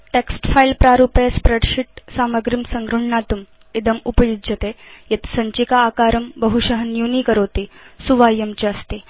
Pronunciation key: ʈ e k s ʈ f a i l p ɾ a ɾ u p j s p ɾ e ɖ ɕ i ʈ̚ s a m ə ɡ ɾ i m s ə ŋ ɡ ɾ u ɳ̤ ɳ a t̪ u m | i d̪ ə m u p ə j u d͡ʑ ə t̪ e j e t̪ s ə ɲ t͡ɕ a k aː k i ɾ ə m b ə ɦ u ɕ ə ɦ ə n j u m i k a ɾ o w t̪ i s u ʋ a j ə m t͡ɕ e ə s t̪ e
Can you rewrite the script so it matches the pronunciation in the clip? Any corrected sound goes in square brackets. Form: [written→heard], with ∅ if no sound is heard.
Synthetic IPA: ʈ e k s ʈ f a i l p ɾ a ɾ u p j s p ɾ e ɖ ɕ i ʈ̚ s a m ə ɡ ɾ i m s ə ŋ ɡ ɾ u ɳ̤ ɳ a t̪ u m | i d̪ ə m u p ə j u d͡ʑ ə t̪ e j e t̪ s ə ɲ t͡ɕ [a→i] k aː k [i→a] ɾ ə m b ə ɦ u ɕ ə ɦ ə n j u [m→n] i k [a→ə] ɾ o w t̪ i s u ʋ a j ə m t͡ɕ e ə s t̪ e